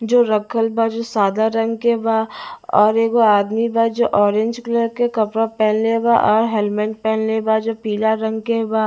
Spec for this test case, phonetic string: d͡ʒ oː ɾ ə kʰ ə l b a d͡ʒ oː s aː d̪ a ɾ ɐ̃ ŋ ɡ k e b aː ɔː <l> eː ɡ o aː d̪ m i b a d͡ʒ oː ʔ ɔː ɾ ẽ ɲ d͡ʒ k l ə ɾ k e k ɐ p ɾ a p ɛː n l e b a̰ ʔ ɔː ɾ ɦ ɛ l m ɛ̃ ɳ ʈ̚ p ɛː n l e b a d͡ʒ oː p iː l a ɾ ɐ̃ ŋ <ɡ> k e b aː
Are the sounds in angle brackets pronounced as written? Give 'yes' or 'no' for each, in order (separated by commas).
no, yes